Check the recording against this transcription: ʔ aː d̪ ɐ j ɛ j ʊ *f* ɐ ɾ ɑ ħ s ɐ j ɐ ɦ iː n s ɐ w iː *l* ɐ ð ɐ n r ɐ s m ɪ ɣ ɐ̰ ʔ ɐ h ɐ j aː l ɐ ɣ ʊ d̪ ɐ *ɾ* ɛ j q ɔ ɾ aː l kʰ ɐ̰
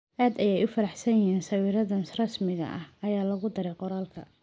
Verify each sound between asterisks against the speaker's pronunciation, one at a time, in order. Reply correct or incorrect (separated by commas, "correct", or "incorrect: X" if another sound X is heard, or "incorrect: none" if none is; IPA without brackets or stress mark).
correct, incorrect: ɾ, correct